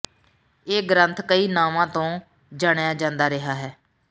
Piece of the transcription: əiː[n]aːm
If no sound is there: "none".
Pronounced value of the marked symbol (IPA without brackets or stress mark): n